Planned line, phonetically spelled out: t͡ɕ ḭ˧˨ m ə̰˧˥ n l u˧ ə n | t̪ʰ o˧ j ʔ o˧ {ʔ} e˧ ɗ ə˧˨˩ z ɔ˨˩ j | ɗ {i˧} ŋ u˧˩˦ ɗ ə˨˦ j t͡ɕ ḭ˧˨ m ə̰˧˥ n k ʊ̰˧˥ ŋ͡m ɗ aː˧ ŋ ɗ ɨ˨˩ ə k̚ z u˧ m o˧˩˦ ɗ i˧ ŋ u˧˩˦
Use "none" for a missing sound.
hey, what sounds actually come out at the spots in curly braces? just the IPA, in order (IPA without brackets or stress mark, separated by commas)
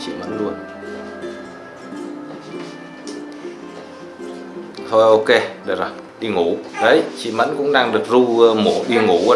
k, i˧